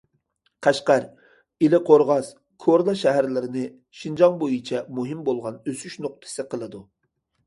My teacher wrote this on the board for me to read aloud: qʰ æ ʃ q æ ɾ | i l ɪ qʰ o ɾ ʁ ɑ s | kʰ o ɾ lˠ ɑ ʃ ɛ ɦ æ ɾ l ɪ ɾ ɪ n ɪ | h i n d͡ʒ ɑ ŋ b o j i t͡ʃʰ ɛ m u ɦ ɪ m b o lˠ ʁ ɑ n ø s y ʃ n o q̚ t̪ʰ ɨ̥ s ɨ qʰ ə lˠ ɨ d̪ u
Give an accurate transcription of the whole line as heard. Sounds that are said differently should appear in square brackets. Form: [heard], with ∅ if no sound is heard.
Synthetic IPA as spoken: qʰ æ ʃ q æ ɾ | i l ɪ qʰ o ɾ ʁ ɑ s | kʰ o ɾ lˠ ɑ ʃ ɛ ɦ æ ɾ l ɪ ɾ ɪ n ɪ | [ʃ] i n d͡ʒ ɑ ŋ b o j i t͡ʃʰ ɛ m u ɦ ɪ m b o lˠ ʁ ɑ n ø s y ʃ n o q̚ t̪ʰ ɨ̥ s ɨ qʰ ə lˠ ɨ d̪ u